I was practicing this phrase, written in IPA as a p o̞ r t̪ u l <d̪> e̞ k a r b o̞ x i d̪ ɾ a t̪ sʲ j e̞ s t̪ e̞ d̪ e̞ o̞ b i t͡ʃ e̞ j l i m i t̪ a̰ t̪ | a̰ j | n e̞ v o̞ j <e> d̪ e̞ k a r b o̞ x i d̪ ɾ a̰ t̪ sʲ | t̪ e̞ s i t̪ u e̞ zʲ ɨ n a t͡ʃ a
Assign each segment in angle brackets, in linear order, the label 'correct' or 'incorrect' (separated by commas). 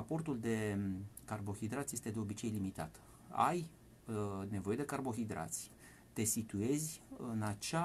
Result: correct, correct